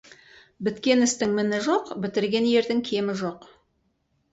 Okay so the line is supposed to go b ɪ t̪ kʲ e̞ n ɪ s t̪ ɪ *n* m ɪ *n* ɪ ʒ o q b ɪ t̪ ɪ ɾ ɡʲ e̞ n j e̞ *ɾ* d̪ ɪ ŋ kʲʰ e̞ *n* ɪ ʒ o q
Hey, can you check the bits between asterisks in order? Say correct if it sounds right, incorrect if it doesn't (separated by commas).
incorrect, correct, correct, incorrect